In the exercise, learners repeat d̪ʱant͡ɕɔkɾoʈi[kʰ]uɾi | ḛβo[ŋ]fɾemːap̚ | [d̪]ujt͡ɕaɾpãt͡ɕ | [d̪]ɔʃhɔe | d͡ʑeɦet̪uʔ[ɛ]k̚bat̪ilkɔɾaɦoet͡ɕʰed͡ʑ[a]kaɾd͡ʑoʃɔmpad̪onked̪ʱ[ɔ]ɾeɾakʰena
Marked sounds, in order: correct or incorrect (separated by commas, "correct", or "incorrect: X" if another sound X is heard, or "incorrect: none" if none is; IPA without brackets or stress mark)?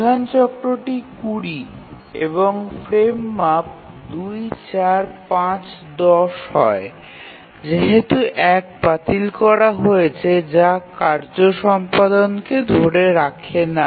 incorrect: k, correct, correct, correct, correct, correct, incorrect: o